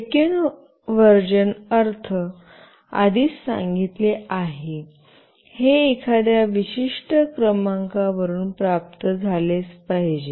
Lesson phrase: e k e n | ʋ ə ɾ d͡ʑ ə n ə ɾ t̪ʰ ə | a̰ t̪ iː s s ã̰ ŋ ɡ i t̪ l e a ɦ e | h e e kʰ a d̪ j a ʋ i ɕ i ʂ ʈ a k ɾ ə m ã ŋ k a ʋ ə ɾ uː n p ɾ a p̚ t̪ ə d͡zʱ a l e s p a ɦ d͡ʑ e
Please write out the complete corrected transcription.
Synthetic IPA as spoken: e k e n | ʋ ə ɾ d͡ʑ ə n ə ɾ t̪ʰ ə | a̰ d̪ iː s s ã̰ ŋ ɡ i t̪ l e a ɦ e | h e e kʰ a d̪ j a ʋ i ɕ i ʂ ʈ ə k ɾ ə m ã ŋ k a ʋ ə ɾ uː n p ɾ a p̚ t̪ ə d͡zʱ a l e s p a ɦ d͡ʑ e